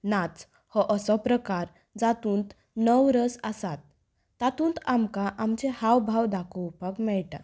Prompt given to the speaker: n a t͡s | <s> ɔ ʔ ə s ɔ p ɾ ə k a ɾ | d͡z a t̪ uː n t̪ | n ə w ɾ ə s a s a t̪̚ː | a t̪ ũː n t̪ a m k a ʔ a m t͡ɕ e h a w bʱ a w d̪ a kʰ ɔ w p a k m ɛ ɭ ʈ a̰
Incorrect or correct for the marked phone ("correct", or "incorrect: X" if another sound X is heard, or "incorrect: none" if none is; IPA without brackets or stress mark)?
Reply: incorrect: h